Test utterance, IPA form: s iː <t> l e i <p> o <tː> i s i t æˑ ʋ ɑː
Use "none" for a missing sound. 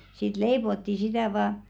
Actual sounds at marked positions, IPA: t, p, tː

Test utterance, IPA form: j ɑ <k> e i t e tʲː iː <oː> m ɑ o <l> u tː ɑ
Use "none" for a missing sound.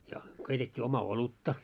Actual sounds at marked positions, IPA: k, o, l

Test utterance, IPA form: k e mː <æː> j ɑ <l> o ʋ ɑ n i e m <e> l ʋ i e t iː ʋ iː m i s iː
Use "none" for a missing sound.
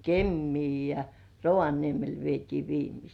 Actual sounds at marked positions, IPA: iː, r, e

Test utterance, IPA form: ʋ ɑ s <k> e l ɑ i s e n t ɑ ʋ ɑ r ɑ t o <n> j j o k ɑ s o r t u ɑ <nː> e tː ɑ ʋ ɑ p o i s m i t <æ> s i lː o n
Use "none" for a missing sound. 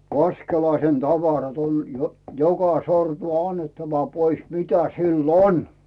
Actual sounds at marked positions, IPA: k, n, nː, æ

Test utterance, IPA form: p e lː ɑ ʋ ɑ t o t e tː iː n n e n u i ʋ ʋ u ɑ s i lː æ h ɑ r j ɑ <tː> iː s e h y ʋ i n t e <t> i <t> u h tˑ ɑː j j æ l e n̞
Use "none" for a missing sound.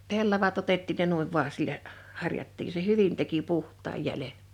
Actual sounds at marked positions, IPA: tː, k, p

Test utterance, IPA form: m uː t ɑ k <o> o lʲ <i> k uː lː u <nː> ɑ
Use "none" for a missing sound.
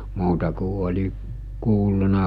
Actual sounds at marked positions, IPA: u, i, n

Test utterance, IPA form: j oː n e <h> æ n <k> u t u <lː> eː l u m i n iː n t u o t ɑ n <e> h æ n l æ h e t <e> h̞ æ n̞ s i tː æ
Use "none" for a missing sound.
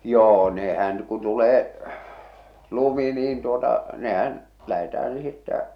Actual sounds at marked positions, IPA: h, k, l, e, æ

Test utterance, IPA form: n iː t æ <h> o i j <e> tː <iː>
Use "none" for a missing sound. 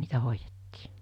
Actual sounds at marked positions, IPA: h, e, iː

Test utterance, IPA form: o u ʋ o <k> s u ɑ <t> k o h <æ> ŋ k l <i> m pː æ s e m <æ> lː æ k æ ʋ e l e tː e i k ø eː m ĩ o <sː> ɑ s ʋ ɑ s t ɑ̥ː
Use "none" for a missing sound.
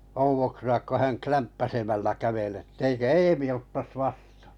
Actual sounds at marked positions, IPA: k, k, æ, æ, æ, tː

